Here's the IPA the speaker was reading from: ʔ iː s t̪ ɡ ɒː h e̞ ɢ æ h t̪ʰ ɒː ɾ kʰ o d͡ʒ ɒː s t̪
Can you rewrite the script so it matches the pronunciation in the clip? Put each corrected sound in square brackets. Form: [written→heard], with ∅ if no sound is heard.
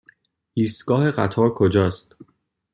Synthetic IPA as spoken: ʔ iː s t̪ ɡ ɒː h e̞ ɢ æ [h→∅] t̪ʰ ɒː ɾ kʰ o d͡ʒ ɒː s t̪